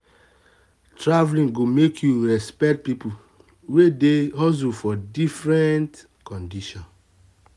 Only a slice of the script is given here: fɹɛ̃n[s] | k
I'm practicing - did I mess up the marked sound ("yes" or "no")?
yes